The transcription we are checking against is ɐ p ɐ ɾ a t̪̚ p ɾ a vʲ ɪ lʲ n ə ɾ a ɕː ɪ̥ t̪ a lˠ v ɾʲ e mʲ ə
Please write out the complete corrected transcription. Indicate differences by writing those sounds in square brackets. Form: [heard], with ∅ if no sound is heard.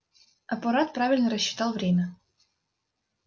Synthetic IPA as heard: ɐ p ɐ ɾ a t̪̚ p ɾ a vʲ ɪ lʲ n ə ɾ [ə] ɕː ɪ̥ t̪ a lˠ v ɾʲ e mʲ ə